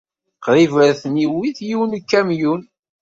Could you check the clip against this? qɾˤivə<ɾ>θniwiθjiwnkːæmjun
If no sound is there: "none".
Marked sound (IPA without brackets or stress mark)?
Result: ɾ